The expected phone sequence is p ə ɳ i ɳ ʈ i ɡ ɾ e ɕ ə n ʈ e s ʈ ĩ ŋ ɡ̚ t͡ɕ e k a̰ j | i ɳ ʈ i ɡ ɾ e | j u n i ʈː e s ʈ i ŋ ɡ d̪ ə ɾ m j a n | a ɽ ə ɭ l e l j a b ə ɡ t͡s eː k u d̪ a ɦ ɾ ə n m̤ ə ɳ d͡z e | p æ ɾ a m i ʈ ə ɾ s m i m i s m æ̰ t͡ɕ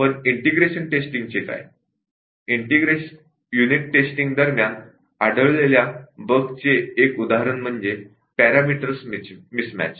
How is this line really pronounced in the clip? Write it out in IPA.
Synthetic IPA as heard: p ə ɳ i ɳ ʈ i ɡ ɾ e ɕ ə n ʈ e s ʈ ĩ ŋ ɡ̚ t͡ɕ e k a̰ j | i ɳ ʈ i ɡ ɾ e | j u n i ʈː e s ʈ i ŋ ɡ d̪ ə ɾ m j a n | a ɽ ə ɭ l e l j a b ə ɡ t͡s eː k u d̪ a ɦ ɾ ə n m̤ ə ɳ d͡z e | p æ ɾ a m i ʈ ə ɾ s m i m i s m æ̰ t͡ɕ